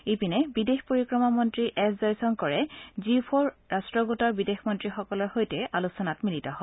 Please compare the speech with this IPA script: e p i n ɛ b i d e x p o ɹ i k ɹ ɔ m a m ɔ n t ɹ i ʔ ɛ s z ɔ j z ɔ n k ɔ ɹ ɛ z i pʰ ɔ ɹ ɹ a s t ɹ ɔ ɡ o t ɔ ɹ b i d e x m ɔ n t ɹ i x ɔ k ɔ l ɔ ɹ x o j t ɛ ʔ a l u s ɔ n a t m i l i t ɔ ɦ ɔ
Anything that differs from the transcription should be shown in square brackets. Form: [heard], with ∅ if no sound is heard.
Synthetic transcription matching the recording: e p i n ɛ b i d e x p o ɹ i k ɹ ɔ m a m ɔ n t ɹ i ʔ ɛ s z ɔ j [s] ɔ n k ɔ ɹ ɛ z i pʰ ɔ ɹ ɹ a s t ɹ ɔ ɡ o t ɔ ɹ b i d e x m ɔ n t ɹ i x ɔ k ɔ l ɔ ɹ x o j t ɛ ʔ a l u s ɔ n a t m i l i t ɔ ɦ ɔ